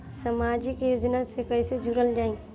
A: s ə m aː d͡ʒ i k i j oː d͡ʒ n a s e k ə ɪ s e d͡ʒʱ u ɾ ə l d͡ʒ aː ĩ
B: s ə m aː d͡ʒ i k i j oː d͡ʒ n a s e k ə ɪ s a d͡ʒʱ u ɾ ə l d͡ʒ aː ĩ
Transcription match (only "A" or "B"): A